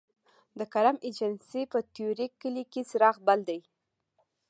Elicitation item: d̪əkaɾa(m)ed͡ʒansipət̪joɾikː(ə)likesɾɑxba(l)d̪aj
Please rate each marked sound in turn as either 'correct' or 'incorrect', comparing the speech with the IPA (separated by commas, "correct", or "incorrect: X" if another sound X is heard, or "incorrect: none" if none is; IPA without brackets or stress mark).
correct, correct, correct